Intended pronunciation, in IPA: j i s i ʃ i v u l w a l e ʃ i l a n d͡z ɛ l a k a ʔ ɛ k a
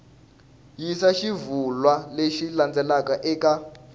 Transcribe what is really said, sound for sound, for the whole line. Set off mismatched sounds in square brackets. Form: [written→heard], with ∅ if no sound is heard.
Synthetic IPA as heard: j i s [i→a] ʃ i v u l w a l e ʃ i l a n d͡z ɛ l a k a ʔ ɛ k a